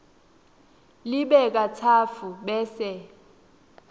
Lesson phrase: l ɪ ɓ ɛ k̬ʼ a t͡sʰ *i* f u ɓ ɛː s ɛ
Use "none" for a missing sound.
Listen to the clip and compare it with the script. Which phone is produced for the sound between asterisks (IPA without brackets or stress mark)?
a